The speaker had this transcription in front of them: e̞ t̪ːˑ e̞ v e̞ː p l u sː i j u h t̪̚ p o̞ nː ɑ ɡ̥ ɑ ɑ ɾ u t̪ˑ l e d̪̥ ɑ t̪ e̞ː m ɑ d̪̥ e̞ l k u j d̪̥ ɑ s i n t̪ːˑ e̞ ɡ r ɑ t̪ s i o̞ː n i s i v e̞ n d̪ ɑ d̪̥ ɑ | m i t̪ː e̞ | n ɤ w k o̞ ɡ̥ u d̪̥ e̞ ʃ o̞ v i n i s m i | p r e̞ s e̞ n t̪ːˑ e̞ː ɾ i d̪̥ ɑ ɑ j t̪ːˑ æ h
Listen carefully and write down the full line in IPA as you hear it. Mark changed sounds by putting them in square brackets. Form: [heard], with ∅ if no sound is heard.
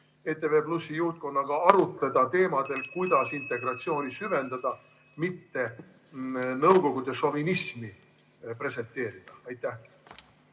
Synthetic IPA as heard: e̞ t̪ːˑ e̞ v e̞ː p l u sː i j u h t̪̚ [k] o̞ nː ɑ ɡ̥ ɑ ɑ ɾ u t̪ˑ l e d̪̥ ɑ t̪ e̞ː m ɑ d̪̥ e̞ l k u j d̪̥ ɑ s i n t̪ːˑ e̞ ɡ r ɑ t̪ s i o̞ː n i s [y] v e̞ n d̪ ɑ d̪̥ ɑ | m i t̪ː e̞ | n ɤ w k o̞ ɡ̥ u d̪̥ e̞ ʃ o̞ v i n i s m i | p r e̞ s e̞ n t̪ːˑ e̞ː ɾ i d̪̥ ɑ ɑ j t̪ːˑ æ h